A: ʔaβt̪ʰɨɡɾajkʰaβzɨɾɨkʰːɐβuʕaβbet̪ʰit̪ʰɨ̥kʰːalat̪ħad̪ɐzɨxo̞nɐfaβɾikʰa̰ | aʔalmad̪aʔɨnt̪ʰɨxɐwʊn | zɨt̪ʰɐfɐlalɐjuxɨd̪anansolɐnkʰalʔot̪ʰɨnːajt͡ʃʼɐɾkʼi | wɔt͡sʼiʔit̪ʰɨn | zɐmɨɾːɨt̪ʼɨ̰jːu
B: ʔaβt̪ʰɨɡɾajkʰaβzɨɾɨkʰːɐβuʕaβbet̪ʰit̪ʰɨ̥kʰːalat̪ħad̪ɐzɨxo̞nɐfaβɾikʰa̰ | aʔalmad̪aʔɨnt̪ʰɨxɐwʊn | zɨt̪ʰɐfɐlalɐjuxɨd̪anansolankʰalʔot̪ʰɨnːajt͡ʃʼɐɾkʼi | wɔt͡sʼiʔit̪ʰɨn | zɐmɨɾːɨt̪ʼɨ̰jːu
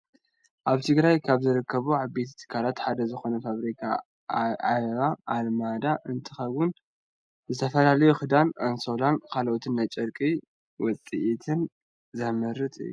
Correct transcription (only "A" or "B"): B